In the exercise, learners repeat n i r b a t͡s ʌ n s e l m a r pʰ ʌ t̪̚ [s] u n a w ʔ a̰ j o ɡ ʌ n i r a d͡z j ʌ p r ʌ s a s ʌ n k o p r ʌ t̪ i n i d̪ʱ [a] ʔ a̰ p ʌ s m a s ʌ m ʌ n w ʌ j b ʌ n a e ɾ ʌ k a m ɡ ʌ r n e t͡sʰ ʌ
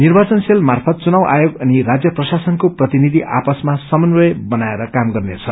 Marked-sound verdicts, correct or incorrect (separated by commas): incorrect, incorrect